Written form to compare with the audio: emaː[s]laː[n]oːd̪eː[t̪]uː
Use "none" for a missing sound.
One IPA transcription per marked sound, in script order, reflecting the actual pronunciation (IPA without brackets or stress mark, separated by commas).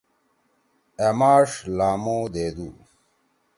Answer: ʂ, m, d̪